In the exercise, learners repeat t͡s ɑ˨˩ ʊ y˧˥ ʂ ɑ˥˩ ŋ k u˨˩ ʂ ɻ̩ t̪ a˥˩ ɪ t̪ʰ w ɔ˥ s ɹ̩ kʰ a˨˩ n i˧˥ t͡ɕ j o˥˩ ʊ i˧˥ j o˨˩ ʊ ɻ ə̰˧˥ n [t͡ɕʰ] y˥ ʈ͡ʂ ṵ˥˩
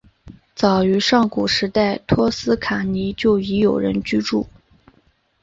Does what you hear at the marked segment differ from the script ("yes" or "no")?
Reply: yes